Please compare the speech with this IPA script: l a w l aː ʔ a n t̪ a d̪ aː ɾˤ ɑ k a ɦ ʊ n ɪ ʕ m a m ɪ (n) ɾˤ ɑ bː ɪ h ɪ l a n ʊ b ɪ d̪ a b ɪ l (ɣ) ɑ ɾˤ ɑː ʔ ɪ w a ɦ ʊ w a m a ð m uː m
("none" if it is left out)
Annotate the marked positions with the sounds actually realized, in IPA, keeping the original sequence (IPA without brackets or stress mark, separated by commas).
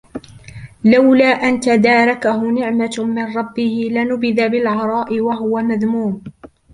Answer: n, ʕ